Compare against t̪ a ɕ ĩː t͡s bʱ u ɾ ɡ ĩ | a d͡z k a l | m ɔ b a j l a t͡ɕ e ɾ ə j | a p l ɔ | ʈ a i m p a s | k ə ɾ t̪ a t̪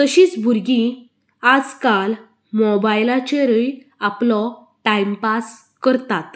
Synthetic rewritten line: t̪ ə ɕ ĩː t͡s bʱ u ɾ ɡ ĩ | a d͡z k a l | m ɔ b a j l a t͡ɕ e ɾ ə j | a p l ɔ | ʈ a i m p a s | k ə ɾ t̪ a t̪